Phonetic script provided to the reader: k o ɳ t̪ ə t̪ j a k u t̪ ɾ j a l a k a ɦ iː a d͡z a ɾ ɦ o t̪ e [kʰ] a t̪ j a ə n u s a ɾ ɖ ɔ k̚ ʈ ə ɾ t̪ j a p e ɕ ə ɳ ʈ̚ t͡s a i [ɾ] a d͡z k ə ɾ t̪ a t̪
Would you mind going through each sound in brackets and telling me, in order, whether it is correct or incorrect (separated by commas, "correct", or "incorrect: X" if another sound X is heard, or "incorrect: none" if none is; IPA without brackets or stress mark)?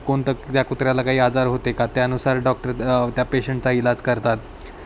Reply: incorrect: k, incorrect: l